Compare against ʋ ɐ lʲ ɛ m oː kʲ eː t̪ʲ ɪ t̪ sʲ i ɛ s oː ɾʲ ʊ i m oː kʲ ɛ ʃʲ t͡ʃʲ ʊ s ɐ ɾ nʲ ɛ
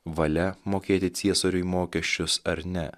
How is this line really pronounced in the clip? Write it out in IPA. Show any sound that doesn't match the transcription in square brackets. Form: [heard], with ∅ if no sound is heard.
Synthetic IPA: ʋ ɐ lʲ ɛ m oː kʲ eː t̪ʲ ɪ t̪ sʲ i ɛ s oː ɾʲ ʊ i m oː kʲ ɛ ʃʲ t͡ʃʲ ʊ s ɐ ɾ nʲ ɛ